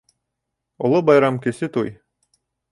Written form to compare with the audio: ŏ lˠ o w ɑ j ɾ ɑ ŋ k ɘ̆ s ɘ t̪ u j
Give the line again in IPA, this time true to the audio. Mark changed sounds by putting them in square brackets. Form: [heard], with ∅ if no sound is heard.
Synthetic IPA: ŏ lˠ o [b] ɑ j ɾ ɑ [m] k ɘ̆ s ɘ t̪ u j